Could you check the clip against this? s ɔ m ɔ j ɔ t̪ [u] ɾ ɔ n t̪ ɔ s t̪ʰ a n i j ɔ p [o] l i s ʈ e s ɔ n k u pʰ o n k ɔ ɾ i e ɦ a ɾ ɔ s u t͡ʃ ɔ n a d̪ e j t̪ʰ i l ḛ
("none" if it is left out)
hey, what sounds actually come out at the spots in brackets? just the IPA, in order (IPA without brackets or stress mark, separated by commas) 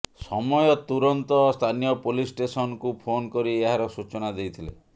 u, o